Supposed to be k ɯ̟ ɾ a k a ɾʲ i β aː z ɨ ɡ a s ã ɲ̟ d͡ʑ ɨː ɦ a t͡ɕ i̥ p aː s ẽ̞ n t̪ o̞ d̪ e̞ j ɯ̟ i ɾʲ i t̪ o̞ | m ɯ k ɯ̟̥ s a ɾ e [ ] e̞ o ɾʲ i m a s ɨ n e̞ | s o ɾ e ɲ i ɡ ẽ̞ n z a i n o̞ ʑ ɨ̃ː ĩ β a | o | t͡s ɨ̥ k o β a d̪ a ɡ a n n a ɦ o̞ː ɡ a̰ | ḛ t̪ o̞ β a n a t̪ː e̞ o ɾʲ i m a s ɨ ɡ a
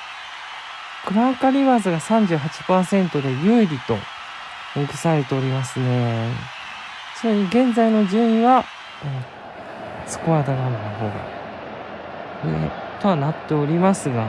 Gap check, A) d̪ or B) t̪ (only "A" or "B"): B